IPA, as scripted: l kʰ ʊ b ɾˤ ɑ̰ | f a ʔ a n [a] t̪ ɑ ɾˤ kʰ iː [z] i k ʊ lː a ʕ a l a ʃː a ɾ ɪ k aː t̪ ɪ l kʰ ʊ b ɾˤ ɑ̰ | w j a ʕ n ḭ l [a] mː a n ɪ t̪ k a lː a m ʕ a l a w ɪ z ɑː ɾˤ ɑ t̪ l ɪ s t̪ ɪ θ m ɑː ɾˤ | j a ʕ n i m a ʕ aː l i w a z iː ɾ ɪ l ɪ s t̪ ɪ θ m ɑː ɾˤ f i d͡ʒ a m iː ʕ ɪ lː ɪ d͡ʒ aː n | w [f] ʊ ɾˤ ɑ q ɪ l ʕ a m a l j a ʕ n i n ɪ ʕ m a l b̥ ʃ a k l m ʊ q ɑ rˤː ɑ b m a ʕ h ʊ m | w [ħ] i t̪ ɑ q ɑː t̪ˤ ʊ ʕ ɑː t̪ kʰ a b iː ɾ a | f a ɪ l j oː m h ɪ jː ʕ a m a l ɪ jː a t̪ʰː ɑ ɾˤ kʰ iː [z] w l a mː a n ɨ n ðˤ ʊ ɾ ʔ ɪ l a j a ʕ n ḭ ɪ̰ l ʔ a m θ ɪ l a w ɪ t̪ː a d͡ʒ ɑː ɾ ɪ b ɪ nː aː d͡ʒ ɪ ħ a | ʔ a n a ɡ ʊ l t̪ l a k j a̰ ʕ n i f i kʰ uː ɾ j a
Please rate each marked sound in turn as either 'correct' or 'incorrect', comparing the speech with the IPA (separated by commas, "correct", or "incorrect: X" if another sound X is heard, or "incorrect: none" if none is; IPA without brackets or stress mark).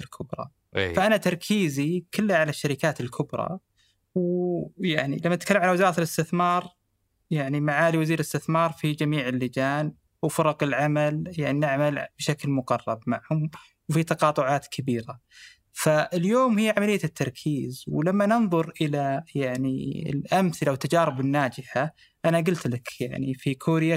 correct, correct, correct, correct, incorrect: f, correct